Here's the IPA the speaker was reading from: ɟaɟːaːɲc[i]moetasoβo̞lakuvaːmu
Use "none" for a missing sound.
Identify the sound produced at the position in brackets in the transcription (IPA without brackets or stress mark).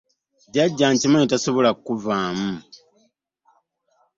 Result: i